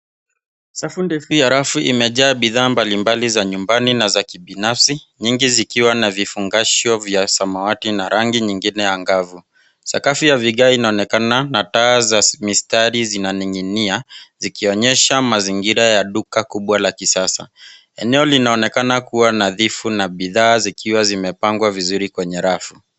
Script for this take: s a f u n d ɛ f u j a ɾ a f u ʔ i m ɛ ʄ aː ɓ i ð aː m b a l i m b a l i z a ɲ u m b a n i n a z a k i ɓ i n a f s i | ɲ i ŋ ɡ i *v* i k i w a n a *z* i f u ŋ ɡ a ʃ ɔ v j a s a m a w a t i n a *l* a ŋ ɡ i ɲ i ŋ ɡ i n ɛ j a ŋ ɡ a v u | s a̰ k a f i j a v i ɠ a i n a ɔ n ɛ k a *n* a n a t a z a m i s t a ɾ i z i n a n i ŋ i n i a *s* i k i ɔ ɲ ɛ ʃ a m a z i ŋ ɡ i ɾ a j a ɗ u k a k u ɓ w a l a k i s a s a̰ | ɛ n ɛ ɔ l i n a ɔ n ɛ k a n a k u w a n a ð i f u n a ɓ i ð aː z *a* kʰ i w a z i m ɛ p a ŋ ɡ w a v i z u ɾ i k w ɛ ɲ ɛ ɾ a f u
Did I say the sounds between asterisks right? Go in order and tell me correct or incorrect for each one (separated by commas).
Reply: incorrect, incorrect, incorrect, correct, incorrect, incorrect